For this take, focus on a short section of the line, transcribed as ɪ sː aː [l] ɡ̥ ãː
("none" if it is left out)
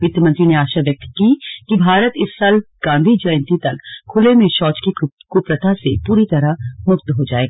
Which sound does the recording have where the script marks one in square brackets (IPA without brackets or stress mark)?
l